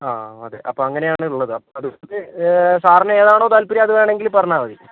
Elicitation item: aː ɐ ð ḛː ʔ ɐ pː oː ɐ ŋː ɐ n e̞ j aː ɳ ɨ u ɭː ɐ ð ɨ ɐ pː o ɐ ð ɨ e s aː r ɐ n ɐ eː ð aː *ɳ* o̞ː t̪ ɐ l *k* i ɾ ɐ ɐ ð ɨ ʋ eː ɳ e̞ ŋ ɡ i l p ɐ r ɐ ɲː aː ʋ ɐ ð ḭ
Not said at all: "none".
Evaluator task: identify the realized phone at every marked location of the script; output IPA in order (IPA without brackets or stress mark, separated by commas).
ɳ, p